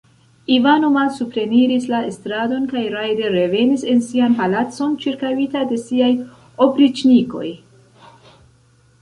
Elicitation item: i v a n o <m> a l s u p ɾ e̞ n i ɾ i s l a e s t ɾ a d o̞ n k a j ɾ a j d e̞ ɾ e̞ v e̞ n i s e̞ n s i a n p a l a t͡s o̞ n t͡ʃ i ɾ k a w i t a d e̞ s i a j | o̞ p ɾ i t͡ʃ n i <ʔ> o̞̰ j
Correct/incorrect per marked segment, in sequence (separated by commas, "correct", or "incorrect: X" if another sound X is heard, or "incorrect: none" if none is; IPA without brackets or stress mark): correct, incorrect: k